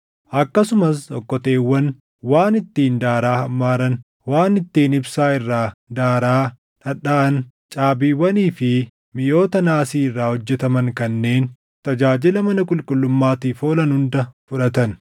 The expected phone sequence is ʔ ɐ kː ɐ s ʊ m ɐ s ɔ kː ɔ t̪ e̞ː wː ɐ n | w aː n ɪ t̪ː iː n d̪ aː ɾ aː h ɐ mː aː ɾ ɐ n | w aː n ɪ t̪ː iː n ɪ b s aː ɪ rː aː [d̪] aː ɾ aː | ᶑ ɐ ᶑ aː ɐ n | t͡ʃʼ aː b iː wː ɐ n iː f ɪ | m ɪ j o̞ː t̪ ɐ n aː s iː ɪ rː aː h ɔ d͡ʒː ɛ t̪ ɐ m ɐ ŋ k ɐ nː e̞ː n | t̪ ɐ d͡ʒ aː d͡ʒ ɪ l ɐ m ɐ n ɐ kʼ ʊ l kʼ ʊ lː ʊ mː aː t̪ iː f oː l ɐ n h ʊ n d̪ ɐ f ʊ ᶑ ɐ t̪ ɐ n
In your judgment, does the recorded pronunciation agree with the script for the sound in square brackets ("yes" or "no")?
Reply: yes